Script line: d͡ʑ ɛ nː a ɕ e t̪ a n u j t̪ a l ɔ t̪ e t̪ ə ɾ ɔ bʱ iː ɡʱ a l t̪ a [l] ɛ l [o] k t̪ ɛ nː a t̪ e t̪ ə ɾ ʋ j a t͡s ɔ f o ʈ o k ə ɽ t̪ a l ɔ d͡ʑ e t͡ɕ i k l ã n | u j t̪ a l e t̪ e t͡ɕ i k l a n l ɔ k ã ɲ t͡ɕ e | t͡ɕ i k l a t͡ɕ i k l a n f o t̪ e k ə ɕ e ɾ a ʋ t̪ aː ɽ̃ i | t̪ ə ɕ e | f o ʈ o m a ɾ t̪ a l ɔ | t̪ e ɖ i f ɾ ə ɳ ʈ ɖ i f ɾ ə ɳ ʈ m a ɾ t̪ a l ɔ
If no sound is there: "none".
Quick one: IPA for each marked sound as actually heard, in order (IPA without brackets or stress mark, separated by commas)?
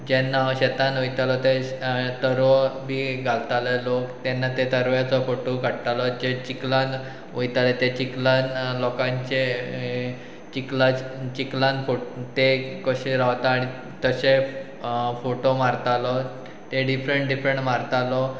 l, o